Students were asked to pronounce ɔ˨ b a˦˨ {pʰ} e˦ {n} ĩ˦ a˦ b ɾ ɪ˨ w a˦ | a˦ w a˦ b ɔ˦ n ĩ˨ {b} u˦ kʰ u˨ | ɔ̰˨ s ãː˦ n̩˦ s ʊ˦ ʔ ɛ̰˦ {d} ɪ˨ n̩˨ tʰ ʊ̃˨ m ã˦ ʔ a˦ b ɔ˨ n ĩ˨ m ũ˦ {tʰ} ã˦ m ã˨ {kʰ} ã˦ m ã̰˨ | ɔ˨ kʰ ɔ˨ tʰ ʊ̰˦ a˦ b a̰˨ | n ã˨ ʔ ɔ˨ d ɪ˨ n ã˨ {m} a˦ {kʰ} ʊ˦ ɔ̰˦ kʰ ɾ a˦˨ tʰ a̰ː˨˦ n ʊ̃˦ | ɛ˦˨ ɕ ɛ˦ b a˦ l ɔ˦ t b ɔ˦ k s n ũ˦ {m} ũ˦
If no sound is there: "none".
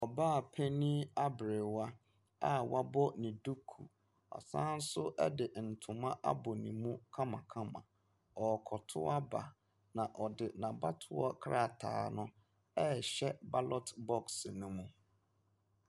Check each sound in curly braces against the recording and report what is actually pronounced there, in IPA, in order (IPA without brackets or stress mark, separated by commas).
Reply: pʰ, n, d, d, kʰ, kʰ, b, tʰ, m